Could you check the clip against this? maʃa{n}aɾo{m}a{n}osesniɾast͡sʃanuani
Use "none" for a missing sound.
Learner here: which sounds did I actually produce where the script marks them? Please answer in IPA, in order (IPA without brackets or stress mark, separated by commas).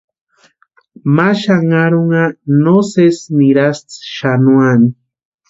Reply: ŋ, ŋ, n